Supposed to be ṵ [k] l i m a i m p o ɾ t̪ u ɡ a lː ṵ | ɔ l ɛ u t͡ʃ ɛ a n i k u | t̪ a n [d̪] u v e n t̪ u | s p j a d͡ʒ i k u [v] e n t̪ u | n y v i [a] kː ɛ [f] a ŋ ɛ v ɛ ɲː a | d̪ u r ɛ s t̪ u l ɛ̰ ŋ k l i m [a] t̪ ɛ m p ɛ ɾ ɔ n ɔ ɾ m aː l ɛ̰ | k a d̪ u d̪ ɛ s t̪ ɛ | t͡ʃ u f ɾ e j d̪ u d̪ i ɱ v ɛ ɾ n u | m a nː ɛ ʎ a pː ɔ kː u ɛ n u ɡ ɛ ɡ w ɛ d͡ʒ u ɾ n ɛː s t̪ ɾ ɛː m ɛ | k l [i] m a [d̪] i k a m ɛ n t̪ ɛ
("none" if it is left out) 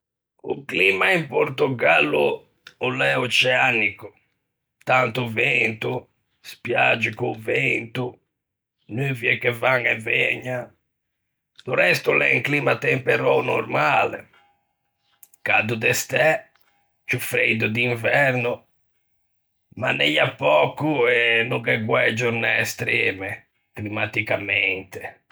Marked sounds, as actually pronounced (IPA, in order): k, t̪, v, ɛ, v, a, i, t̪

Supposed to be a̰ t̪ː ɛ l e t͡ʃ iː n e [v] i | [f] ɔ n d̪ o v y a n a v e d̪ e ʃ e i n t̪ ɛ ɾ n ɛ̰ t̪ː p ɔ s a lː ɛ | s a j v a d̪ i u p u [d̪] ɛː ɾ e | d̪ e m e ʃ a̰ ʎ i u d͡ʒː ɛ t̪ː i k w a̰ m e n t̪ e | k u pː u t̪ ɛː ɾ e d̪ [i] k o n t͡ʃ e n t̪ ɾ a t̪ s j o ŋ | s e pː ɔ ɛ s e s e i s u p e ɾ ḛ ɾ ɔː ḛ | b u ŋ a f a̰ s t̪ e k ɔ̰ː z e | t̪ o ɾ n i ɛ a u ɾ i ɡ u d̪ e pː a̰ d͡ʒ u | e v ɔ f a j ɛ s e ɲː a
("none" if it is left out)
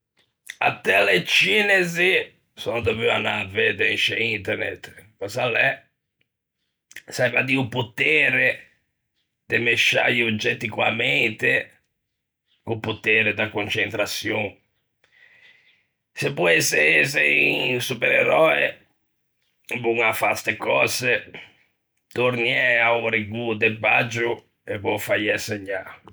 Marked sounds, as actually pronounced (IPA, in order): z, s, t̪, a

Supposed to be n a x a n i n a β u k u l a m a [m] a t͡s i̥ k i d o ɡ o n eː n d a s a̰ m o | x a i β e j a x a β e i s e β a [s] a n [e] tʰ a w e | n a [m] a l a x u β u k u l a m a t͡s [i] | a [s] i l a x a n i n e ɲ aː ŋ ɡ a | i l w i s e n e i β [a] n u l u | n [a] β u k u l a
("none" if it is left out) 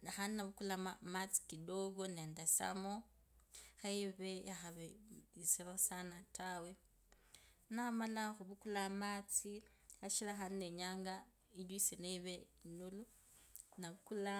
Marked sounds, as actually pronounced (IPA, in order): m, s, a, m, i, ʃ, e, a

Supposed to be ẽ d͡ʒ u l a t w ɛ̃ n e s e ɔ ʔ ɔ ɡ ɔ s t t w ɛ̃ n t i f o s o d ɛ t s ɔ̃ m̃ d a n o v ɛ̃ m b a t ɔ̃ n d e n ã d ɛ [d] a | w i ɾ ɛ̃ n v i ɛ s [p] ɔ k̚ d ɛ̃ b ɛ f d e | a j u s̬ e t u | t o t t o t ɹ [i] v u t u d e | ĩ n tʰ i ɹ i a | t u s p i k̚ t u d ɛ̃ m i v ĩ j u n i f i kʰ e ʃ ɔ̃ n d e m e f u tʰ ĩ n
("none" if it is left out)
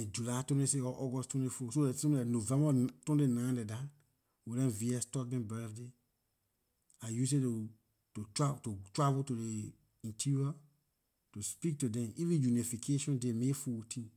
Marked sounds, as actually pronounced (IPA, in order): d, t, a

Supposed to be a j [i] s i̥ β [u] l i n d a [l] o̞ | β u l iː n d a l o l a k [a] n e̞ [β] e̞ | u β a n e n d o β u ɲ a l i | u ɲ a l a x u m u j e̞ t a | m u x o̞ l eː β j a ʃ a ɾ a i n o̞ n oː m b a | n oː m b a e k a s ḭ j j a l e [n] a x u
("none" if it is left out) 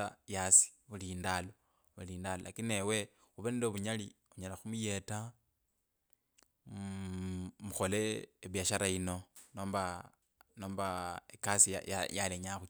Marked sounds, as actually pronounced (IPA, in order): a, u, l, i, w, ɲ

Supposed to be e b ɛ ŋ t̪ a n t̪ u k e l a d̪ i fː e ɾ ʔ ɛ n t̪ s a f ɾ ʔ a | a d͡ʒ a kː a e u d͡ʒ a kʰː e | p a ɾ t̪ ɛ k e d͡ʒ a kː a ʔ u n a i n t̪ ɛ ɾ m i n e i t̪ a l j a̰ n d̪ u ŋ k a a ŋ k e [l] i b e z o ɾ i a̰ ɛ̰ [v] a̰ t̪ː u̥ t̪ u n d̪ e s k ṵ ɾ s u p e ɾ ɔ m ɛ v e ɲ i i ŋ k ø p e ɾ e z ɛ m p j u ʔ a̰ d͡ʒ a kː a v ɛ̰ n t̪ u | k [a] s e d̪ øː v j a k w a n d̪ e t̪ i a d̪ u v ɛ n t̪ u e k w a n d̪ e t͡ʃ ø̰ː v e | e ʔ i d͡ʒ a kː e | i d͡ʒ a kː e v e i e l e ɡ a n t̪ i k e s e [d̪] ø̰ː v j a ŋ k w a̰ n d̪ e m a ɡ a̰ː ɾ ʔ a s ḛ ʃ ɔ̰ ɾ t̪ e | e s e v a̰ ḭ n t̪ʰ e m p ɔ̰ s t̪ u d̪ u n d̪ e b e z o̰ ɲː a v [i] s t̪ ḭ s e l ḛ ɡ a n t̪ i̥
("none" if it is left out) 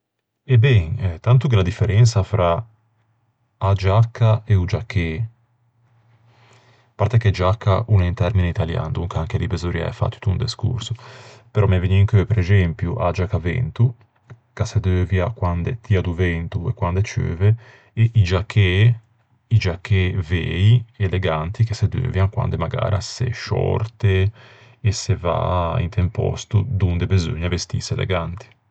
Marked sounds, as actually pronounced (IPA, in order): l, f, a, d̪, e

